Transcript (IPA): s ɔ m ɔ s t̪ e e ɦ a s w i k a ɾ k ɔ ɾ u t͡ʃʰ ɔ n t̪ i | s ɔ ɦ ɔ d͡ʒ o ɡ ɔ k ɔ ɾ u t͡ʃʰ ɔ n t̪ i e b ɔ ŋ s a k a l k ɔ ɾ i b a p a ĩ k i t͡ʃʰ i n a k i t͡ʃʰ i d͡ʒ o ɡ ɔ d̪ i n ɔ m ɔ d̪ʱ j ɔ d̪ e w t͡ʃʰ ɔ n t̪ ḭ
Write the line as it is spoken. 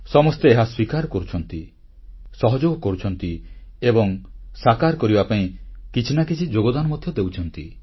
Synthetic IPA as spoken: s ɔ m ɔ s t̪ e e ɦ a s w i k a ɾ k ɔ ɾ u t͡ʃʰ ɔ n t̪ i | s ɔ ɦ ɔ d͡ʒ o ɡ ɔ k ɔ ɾ u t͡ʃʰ ɔ n t̪ i e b ɔ ŋ s a k a ɾ k ɔ ɾ i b a p a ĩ k i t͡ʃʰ i n a k i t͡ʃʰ i d͡ʒ o ɡ ɔ d̪ a n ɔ m ɔ d̪ʱ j ɔ d̪ e w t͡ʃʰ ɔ n t̪ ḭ